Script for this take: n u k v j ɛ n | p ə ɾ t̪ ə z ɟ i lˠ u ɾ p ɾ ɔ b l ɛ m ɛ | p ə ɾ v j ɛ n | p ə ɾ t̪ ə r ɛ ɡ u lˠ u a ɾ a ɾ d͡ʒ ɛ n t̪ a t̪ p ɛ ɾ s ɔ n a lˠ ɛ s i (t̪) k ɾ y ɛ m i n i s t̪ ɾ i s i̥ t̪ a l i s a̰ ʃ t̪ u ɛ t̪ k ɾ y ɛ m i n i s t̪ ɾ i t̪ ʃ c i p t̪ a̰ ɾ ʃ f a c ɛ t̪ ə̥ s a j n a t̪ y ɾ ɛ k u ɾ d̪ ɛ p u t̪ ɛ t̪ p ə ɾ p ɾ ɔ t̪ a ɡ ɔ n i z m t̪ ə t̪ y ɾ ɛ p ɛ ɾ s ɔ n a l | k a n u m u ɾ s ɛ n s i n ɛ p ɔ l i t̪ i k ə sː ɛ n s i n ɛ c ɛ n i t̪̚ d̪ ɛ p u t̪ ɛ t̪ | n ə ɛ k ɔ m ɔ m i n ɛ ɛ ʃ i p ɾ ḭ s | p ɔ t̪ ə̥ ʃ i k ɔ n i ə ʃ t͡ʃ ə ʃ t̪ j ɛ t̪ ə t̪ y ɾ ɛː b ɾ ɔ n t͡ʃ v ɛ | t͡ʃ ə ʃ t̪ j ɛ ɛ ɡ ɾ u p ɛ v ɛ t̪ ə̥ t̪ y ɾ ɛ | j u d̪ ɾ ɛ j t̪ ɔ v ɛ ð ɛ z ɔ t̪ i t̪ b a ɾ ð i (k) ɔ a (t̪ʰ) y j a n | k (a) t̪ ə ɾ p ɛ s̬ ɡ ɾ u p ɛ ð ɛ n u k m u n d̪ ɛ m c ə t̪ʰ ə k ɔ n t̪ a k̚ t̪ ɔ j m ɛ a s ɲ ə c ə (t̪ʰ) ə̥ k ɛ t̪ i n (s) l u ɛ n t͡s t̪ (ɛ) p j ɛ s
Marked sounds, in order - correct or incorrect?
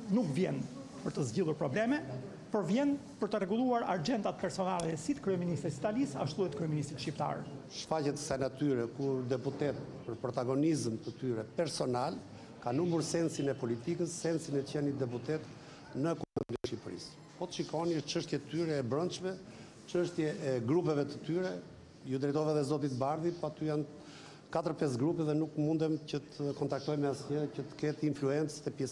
correct, incorrect: p, incorrect: t̪, correct, incorrect: t̪, incorrect: f, correct

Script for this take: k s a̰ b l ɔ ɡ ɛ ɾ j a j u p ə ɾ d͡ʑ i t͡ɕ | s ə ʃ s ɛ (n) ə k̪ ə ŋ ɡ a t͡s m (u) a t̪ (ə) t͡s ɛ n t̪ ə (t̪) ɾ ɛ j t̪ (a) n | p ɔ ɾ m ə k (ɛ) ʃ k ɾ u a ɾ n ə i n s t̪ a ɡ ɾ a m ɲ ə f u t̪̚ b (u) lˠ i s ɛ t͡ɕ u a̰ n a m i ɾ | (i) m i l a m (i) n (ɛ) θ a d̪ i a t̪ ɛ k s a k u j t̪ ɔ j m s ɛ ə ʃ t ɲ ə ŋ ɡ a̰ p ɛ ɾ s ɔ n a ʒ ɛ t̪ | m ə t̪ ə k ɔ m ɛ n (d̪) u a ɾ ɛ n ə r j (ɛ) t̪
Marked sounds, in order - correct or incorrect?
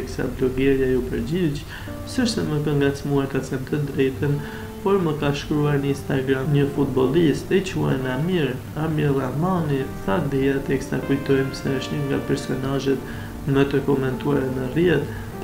incorrect: m, correct, incorrect: a, incorrect: d̪, incorrect: ə, incorrect: a, incorrect: ɔ, incorrect: a, incorrect: a, incorrect: i, incorrect: t̪, correct

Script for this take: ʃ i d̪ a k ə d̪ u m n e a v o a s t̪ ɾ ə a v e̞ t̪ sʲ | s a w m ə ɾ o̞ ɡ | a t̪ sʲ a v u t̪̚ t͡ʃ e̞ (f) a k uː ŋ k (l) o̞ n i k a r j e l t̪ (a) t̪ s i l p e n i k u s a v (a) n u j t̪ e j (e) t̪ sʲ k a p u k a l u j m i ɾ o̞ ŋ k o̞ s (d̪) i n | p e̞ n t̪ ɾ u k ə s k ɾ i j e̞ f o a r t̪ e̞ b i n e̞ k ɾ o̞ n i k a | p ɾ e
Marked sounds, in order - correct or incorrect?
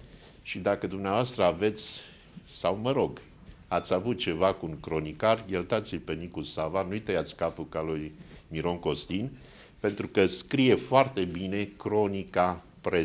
incorrect: v, incorrect: ɾ, correct, correct, incorrect: a, incorrect: t̪

